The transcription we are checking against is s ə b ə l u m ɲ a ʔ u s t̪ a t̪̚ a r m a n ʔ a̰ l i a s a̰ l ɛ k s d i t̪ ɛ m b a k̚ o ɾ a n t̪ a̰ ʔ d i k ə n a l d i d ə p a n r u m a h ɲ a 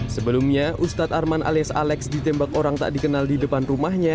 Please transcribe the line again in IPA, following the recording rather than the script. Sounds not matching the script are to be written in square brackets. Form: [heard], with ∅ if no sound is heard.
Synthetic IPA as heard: s ə b ə l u m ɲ a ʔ u s t̪ a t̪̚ a r m a n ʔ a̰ l i a s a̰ l ɛ k s d i t̪ ɛ m b a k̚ o ɾ a [ŋ] t̪ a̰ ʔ d i k ə n a l d i d ə p a n r u m a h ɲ a